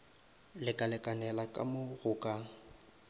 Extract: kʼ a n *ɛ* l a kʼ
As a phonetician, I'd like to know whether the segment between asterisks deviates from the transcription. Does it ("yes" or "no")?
no